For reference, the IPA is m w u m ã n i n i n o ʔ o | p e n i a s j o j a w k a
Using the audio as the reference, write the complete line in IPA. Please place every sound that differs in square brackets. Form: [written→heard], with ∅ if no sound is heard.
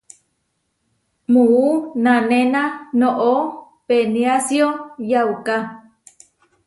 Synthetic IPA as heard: m [w→u] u [m→n] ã n [i→e] n [i→a] n o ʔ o | p e n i a s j o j a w k a